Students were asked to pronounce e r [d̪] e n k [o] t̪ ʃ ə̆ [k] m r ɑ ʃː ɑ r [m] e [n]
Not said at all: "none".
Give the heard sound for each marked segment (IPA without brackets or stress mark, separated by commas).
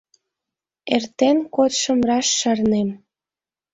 t̪, o, none, n, m